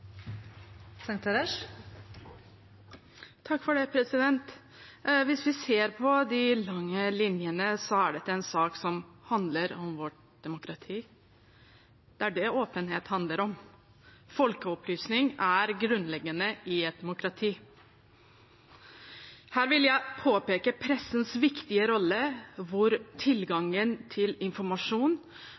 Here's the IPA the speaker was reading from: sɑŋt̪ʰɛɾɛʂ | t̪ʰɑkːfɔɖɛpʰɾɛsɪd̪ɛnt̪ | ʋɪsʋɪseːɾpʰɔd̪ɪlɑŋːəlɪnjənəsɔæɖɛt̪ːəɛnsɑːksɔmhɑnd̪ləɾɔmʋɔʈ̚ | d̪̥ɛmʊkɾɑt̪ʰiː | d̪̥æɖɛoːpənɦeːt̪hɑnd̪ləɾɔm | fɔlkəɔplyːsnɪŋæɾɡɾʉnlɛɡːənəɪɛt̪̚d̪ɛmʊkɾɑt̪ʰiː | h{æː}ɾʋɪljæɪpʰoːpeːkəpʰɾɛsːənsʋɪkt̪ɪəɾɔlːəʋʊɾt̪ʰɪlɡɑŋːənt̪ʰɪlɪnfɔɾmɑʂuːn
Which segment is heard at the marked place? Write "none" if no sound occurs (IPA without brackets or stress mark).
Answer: æː